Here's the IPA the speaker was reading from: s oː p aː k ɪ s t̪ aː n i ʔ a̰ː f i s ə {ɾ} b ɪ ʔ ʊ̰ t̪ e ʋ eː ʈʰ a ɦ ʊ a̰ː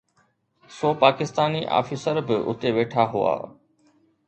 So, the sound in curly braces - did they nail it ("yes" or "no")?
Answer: yes